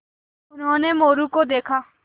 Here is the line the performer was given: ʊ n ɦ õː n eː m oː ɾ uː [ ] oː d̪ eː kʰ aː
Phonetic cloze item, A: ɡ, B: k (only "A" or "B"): B